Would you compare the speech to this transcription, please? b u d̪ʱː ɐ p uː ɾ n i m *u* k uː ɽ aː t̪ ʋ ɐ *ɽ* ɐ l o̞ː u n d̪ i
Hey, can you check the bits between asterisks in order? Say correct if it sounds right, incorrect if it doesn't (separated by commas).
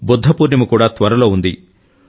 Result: correct, incorrect